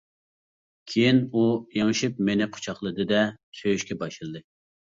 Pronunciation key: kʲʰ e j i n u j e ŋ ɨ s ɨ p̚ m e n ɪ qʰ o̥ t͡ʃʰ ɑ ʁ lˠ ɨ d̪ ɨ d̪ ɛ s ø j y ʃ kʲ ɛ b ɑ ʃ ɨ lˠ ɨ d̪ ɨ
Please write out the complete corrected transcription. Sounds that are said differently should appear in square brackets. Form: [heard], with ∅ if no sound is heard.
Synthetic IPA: kʲʰ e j i n u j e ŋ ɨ [ʃ] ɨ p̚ m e n ɪ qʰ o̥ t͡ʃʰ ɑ [χ] lˠ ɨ d̪ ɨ d̪ ɛ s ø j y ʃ kʲ ɛ b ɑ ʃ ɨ lˠ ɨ d̪ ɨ